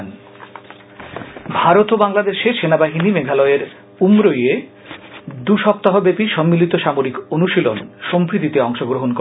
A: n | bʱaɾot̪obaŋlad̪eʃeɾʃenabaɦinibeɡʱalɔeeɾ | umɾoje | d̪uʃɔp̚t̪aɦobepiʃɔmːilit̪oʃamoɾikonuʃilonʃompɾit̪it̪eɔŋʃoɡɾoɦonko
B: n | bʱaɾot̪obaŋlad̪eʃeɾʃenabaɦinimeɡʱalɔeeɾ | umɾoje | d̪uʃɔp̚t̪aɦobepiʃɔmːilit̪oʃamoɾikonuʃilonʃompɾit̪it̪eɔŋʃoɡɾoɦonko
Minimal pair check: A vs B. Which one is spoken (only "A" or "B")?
B